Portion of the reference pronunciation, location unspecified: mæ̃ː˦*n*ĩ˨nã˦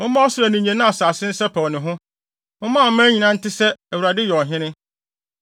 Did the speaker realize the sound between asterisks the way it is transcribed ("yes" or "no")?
no